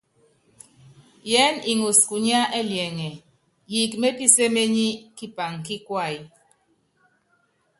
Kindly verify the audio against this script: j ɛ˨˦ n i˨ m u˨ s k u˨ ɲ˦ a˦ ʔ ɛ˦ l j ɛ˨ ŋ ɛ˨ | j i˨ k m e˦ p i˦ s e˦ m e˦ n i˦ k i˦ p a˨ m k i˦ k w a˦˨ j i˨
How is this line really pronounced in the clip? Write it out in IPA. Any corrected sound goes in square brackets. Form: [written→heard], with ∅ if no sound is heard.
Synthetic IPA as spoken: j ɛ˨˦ n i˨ [m→ŋ] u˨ s k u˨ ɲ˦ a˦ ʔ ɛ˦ l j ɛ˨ ŋ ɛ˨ | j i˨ k m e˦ p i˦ s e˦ m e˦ [n→ɲ] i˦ k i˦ p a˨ [m→ŋ] k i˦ k w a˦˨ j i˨